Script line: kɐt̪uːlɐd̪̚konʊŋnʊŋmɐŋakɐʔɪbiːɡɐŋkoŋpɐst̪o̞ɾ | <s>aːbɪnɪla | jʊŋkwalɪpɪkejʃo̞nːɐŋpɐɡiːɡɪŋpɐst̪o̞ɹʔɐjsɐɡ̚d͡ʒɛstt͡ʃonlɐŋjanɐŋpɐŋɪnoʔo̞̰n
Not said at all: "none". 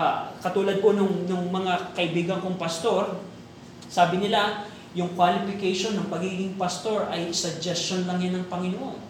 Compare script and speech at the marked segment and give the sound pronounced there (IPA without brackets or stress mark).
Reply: s